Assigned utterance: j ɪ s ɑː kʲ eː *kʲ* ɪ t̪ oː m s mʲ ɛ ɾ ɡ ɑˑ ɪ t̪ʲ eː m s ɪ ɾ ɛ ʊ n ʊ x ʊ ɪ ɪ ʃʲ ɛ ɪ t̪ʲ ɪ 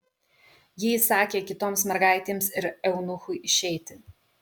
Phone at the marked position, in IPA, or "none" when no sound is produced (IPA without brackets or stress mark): kʲ